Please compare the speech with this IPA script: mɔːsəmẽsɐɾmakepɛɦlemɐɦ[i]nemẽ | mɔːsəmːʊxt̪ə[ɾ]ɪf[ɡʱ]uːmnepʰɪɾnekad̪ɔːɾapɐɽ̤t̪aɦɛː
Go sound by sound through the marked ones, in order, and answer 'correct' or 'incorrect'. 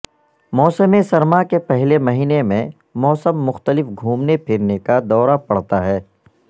incorrect: iː, incorrect: l, correct

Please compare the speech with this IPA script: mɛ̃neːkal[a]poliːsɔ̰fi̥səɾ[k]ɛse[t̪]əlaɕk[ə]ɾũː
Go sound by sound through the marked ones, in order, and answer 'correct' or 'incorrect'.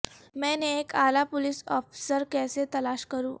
correct, correct, correct, correct

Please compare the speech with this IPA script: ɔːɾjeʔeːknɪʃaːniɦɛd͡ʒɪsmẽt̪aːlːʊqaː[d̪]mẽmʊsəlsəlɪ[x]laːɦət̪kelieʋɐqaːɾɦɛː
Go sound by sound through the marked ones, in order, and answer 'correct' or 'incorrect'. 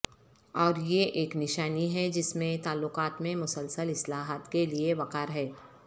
incorrect: t̪, incorrect: s

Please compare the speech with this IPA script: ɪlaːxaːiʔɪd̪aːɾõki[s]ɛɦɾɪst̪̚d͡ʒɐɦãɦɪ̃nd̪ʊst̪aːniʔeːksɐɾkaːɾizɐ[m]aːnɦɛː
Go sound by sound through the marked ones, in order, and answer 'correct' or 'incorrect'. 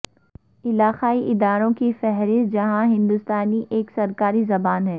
incorrect: f, incorrect: b

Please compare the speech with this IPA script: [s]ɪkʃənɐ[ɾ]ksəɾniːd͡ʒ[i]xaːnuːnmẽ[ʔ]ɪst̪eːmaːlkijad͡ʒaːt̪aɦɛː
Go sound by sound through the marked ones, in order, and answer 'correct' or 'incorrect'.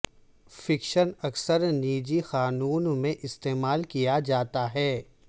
incorrect: f, incorrect: none, correct, correct

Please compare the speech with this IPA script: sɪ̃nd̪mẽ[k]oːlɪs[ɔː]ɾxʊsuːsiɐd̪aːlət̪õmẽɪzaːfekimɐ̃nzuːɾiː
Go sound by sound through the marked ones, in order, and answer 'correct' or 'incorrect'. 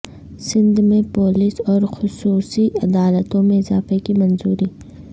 incorrect: p, correct

